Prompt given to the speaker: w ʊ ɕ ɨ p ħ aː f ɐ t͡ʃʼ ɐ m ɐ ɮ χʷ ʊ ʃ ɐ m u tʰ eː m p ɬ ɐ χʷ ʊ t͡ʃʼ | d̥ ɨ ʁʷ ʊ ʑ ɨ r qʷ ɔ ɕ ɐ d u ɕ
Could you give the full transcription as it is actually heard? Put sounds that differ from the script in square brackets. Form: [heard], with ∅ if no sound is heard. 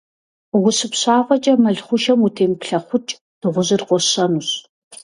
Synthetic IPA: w ʊ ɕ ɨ p [ɕ] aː f ɐ t͡ʃʼ ɐ m ɐ ɮ χʷ ʊ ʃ ɐ m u tʰ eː m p ɬ ɐ χʷ ʊ t͡ʃʼ | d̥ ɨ ʁʷ ʊ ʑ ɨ r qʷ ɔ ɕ ɐ [n] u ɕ